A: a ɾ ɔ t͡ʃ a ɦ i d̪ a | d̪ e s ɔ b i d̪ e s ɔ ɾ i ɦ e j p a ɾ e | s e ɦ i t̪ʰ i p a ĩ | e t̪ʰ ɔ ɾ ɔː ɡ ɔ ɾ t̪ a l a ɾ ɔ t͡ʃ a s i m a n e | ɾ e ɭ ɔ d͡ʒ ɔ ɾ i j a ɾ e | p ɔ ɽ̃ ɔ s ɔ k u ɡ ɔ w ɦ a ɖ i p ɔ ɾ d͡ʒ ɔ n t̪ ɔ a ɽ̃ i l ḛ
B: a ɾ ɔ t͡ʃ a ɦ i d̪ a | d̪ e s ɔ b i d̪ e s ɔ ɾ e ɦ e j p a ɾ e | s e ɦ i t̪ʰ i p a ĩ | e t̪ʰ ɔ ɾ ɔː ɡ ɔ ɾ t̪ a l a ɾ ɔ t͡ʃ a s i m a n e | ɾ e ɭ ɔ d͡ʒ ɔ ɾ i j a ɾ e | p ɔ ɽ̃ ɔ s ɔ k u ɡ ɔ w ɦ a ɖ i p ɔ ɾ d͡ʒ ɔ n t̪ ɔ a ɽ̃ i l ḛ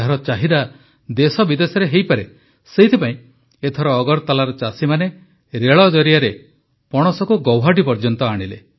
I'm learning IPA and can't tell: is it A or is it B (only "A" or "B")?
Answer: B